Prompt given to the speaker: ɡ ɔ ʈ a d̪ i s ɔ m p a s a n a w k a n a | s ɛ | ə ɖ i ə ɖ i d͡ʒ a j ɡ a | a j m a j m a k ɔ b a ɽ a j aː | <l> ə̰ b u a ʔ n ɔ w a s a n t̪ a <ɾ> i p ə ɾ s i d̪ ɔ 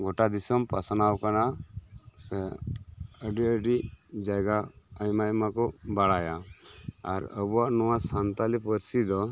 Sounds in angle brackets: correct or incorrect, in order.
incorrect: ɾ, incorrect: l

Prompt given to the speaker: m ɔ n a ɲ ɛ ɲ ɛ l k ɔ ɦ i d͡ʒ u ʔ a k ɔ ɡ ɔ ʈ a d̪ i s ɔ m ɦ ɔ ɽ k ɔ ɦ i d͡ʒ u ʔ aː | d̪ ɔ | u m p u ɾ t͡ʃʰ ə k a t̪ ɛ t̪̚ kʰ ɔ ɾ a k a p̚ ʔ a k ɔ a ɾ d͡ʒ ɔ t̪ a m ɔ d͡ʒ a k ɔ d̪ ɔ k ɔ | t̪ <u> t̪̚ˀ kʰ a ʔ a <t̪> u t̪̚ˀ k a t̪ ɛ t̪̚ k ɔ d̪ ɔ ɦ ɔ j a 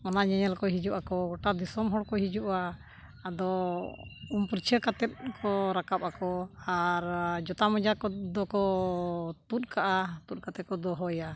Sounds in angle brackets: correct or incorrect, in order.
correct, correct

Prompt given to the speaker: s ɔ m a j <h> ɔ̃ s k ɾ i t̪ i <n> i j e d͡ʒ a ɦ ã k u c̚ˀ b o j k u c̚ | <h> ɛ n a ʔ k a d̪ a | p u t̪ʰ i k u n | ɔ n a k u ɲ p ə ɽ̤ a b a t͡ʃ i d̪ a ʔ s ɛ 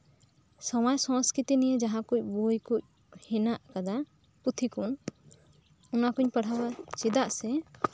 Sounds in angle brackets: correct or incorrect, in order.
incorrect: s, correct, correct

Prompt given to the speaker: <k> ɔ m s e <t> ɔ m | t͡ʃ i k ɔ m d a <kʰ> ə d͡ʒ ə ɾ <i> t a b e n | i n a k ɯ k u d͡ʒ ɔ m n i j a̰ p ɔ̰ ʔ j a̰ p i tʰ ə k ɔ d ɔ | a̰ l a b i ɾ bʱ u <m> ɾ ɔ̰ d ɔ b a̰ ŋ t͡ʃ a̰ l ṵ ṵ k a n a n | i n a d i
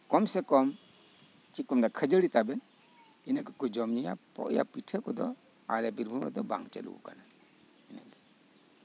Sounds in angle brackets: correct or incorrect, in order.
correct, incorrect: k, correct, correct, correct

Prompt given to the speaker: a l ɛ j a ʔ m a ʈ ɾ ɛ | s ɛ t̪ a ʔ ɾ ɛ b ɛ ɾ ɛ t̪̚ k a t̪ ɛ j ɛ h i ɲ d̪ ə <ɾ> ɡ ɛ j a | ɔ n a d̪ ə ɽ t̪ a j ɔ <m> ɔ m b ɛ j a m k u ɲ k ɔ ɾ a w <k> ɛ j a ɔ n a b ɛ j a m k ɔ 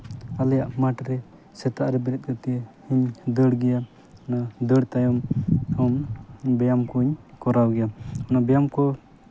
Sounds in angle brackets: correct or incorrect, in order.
incorrect: ɽ, correct, incorrect: ɡ

